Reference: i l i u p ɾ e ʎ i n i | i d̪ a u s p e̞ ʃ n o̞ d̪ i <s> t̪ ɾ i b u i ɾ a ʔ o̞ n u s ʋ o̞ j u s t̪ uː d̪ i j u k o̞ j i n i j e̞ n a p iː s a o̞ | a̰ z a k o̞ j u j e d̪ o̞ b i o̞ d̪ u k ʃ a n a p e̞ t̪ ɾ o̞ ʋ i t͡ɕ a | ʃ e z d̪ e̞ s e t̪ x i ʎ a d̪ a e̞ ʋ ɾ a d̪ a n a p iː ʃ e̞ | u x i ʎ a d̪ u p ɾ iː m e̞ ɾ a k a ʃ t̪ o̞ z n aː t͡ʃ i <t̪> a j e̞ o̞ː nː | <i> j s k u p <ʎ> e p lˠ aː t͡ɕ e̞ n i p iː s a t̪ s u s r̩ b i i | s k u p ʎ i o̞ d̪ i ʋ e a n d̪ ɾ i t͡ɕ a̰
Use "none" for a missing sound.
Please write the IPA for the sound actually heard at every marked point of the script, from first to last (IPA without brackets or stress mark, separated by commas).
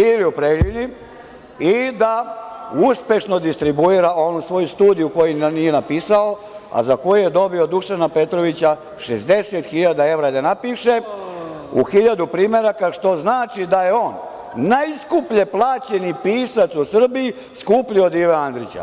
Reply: s, d̪, a, ʎ